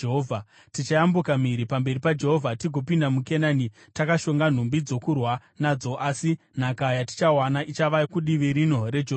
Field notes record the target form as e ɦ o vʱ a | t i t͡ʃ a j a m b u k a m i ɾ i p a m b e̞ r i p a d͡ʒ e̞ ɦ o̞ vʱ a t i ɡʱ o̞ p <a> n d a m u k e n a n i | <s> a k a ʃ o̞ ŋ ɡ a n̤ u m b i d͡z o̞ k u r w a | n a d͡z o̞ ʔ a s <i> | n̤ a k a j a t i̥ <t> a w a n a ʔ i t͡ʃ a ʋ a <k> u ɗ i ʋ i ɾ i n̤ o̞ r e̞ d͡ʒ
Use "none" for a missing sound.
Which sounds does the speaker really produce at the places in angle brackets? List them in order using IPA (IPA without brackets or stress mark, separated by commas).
i, t, i, t͡ʃ, k